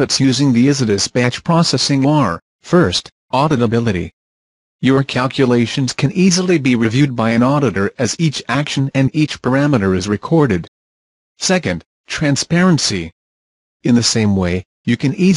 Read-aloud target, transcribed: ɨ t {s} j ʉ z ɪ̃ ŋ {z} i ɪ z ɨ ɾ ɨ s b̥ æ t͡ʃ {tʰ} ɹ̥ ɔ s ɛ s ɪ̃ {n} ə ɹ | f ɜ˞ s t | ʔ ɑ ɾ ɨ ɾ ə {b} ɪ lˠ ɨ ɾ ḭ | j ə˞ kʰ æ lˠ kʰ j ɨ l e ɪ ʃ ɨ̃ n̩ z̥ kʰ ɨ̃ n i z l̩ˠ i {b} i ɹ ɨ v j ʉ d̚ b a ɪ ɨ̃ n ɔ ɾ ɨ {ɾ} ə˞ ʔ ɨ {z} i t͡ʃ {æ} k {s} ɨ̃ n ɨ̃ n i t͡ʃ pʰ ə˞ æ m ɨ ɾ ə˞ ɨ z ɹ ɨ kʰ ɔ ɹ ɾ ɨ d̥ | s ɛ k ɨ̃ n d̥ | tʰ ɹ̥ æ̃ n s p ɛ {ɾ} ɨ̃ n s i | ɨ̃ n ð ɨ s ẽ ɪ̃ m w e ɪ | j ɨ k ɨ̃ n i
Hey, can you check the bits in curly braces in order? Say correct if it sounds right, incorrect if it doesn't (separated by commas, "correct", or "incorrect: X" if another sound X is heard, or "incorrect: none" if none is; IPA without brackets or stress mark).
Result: correct, incorrect: ð, incorrect: pʰ, incorrect: ŋ, correct, correct, correct, correct, correct, incorrect: ʃ, incorrect: ɹ